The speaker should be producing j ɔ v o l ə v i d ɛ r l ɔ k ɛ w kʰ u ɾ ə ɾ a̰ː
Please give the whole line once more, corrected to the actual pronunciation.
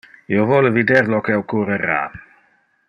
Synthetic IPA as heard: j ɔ v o l ə v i d ɛ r l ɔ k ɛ w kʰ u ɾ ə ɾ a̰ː